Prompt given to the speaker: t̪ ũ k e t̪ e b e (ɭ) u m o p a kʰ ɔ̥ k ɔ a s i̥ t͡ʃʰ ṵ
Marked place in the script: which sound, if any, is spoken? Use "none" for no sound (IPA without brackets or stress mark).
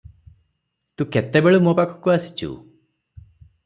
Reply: ɭ